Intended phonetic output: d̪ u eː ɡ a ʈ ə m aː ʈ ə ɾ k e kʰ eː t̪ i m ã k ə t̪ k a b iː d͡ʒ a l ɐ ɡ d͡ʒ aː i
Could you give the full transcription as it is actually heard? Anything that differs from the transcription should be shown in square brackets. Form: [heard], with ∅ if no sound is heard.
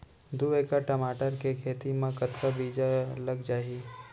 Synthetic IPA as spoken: d̪ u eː [k] a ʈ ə m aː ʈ ə ɾ k e kʰ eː t̪ i m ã k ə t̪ k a b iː d͡ʒ a l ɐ ɡ d͡ʒ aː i